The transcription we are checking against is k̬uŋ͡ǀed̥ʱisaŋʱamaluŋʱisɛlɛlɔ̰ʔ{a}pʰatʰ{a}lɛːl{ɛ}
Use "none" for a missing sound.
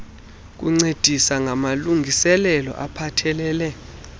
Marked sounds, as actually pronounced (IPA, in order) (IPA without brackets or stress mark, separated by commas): a, ɛ, ɛ